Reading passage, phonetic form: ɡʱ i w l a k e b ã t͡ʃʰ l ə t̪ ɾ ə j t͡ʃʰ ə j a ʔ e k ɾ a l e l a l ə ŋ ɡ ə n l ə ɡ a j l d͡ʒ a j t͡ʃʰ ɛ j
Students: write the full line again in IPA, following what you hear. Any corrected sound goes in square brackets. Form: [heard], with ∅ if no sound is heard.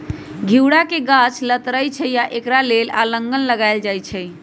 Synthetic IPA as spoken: ɡʱ i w [ɽ] a k e [ɡ] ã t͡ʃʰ l ə t̪ ɾ ə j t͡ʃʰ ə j a ʔ e k ɾ a l e l a l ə ŋ ɡ ə n l ə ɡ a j l d͡ʒ a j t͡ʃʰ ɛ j

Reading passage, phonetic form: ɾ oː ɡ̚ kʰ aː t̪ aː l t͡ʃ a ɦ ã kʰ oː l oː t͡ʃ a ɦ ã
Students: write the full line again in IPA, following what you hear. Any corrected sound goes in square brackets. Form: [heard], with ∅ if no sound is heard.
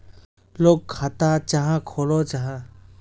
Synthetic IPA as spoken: [l] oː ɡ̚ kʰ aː t̪ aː [∅] t͡ʃ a ɦ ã kʰ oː l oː t͡ʃ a ɦ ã

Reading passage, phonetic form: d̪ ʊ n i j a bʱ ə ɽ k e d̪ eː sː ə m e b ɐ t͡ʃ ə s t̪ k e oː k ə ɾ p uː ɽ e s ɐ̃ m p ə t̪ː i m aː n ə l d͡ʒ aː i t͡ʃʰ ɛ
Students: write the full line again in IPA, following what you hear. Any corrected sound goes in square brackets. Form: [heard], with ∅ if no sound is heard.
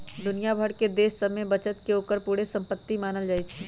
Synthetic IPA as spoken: d̪ ʊ n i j a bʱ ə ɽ k e d̪ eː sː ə m e b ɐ t͡ʃ ə [∅] t̪ k e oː k ə ɾ p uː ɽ e s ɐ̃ m p ə t̪ː i m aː n ə l d͡ʒ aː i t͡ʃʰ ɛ

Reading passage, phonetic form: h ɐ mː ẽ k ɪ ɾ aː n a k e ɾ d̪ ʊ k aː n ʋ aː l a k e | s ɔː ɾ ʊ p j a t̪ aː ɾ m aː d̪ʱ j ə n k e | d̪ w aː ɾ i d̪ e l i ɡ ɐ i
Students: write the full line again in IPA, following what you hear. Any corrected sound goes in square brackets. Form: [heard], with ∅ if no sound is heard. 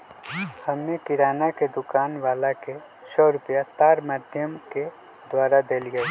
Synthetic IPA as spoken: h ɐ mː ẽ k ɪ ɾ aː n a k e [∅] d̪ ʊ k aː n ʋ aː l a k e | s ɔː ɾ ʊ p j a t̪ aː ɾ m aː d̪ʱ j ə [m] k e | d̪ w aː ɾ [a] d̪ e l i ɡ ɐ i

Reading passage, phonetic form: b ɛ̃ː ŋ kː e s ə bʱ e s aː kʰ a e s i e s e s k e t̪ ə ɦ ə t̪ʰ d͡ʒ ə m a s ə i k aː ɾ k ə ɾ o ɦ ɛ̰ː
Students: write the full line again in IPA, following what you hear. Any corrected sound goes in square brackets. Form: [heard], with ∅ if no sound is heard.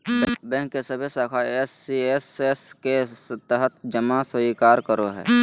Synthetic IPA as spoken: b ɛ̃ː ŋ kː e s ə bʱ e s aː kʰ a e s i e s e s k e t̪ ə ɦ ə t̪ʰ d͡ʒ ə m a s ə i k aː ɾ k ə ɾ o ɦ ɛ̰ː

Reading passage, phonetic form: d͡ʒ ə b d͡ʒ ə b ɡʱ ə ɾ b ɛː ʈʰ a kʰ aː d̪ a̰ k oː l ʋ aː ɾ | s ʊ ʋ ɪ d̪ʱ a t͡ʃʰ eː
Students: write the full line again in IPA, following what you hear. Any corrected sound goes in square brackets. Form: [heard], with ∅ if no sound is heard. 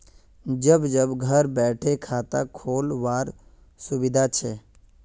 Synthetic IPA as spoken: d͡ʒ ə b d͡ʒ ə b ɡʱ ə ɾ b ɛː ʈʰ [e] kʰ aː [t̪] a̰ [kʰ] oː l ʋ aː ɾ | s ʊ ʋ ɪ d̪ʱ a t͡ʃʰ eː

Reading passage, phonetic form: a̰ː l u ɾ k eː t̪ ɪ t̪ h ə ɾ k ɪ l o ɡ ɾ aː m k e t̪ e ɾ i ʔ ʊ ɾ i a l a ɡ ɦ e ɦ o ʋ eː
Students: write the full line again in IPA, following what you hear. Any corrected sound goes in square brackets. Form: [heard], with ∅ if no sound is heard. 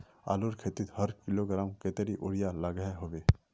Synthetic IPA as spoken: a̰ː l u ɾ [kʰ] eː t̪ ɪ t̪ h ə ɾ k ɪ l o ɡ ɾ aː m k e t̪ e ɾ i ʔ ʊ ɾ [j] a l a ɡ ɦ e ɦ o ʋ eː

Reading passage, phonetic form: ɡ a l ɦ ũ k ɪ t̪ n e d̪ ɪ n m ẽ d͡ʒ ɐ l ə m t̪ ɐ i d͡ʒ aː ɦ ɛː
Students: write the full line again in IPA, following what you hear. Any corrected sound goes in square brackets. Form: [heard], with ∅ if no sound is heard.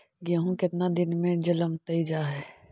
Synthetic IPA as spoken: ɡ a [∅] ɦ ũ k ɪ t̪ n [a] d̪ ɪ n m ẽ d͡ʒ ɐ l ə m t̪ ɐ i d͡ʒ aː ɦ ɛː

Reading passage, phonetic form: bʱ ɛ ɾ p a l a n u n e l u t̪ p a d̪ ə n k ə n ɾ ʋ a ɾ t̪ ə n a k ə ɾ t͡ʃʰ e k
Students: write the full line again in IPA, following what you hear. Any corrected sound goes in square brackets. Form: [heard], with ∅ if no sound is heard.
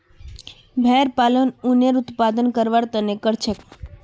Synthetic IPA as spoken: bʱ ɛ ɾ p a l [ə] n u n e [ɾ] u t̪ p a d̪ ə n k ə [∅] ɾ ʋ a ɾ t̪ ə n [e] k ə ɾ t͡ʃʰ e k

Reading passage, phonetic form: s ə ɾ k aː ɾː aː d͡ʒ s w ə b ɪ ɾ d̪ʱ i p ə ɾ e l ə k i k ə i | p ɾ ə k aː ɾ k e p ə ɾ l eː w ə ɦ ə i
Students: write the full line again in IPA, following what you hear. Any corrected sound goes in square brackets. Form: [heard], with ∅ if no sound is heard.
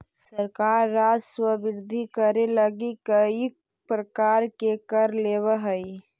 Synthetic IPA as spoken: s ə ɾ k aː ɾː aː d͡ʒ s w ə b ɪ ɾ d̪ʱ i [k] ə ɾ e l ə [ɡ] i k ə i | p ɾ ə k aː ɾ k e [k] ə ɾ l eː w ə ɦ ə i

